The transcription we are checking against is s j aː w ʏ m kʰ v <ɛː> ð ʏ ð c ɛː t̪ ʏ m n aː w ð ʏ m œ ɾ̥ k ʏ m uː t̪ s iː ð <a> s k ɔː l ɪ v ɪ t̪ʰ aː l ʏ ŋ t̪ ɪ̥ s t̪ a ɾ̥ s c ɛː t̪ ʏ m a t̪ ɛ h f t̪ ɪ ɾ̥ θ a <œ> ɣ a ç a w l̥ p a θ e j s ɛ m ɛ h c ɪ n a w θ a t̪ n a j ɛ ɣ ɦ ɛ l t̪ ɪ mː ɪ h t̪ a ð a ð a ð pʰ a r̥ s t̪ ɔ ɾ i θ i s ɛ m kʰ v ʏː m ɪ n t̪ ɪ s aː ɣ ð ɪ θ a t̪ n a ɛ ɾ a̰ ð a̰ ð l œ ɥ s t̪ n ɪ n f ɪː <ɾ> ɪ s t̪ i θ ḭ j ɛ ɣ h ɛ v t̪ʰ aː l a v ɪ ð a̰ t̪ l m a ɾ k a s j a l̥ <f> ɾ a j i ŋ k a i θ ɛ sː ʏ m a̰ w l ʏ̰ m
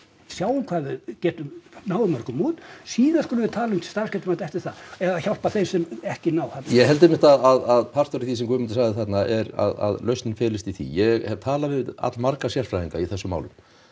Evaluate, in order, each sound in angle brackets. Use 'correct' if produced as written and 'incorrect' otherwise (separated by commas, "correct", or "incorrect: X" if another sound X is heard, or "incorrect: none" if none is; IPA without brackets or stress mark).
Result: incorrect: aː, correct, incorrect: ɛ, incorrect: l, correct